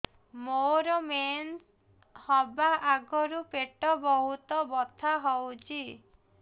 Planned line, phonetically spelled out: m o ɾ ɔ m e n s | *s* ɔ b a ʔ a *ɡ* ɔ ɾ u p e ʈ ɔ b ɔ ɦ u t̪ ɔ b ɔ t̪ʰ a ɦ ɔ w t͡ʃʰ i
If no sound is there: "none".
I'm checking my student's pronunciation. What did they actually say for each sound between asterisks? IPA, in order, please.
h, ɡ

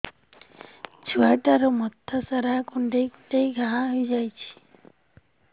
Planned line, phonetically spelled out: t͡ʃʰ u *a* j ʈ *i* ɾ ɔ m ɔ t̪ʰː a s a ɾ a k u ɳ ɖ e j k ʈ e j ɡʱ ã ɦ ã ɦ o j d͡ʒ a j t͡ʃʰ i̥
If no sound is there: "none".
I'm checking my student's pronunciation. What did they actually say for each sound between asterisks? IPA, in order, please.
a, a

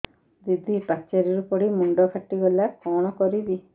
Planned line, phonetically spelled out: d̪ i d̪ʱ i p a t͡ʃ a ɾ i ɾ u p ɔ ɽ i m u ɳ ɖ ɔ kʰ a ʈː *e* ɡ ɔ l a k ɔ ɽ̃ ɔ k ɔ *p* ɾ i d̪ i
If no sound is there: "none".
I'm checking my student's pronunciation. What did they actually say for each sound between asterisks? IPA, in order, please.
i, none

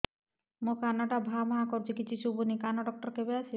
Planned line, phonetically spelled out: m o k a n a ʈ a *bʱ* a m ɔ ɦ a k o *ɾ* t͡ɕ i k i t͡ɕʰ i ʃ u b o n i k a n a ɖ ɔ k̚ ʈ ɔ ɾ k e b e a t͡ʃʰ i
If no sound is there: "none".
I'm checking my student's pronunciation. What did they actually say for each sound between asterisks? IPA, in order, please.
bʱ, ɾ

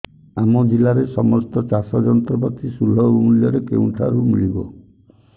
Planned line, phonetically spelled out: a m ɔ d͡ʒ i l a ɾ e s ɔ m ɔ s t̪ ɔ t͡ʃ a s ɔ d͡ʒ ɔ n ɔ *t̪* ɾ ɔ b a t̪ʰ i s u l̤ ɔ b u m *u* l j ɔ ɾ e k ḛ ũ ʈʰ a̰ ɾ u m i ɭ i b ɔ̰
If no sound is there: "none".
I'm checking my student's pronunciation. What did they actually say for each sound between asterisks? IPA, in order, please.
t̪, u

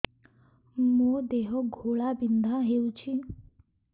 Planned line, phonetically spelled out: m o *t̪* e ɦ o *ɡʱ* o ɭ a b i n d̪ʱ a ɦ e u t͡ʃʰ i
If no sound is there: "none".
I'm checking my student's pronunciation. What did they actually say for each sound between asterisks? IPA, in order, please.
d̪, ɡʱ

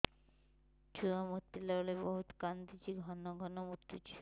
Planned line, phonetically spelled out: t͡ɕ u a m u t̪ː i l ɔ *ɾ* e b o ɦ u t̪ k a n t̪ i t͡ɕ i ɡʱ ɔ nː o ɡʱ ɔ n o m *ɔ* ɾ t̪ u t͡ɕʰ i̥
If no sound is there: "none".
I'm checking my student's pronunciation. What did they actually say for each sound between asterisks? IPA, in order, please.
l, u

